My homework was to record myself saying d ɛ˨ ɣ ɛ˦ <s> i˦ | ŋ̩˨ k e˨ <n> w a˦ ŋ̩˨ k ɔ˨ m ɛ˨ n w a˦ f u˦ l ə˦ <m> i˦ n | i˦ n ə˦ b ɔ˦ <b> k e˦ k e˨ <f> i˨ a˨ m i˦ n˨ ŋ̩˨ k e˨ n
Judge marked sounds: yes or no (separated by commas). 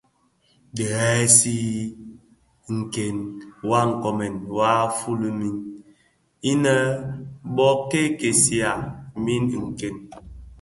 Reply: yes, yes, yes, no, no